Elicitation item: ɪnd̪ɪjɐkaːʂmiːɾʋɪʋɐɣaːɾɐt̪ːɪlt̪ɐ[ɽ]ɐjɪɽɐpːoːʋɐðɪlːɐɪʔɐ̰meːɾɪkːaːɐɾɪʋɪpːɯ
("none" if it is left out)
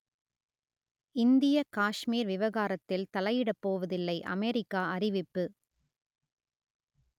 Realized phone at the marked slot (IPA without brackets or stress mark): l